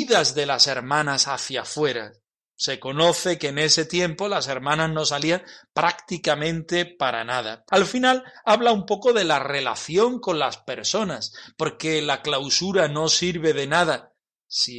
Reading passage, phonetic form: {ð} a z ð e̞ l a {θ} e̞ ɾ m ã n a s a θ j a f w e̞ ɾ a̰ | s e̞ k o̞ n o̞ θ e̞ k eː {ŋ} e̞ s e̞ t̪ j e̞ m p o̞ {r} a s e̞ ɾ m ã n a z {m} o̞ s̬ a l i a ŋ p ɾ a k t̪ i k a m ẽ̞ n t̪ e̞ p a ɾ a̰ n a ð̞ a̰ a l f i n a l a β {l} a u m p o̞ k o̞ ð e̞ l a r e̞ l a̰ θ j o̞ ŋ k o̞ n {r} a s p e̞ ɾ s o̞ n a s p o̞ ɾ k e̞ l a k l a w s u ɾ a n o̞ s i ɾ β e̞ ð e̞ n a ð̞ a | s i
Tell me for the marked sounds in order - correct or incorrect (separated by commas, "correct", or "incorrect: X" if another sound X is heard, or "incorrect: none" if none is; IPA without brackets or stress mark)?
correct, incorrect: s, incorrect: n, incorrect: l, incorrect: n, correct, incorrect: l